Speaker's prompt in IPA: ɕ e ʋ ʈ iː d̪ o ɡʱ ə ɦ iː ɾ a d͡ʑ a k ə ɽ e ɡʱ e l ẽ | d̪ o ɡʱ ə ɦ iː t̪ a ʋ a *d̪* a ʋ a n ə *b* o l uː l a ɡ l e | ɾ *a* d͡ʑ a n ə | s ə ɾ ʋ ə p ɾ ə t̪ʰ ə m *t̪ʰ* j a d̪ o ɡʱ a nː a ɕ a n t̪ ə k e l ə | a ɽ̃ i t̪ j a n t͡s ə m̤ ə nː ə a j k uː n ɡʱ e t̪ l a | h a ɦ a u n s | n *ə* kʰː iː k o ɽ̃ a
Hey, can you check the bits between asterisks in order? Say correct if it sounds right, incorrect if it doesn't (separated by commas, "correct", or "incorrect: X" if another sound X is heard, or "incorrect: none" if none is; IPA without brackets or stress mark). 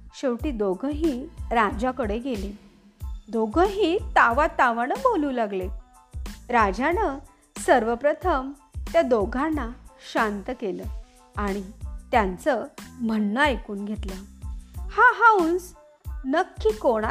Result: incorrect: t̪, correct, correct, incorrect: t̪, correct